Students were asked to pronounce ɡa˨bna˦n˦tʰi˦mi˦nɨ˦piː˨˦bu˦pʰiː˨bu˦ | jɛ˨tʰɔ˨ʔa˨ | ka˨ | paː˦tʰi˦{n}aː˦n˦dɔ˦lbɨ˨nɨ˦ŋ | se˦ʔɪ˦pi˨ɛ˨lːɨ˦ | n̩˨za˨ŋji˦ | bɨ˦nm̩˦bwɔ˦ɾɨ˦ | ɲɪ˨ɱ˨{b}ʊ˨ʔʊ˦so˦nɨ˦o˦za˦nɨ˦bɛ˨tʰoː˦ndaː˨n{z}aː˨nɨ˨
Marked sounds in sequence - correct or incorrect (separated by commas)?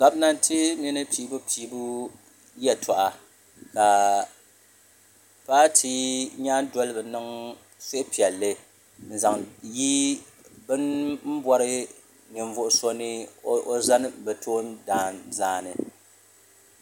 incorrect, incorrect, correct